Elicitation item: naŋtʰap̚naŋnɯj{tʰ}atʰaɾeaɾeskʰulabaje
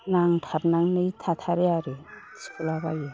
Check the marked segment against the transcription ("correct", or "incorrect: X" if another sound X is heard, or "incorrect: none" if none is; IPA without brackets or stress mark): correct